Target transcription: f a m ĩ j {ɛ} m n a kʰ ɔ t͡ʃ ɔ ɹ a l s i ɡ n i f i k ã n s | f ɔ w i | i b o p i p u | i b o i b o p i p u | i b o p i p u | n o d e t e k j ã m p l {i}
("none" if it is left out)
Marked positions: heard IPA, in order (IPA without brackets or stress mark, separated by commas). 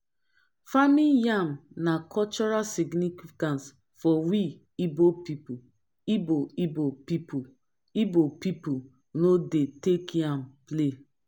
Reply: a, e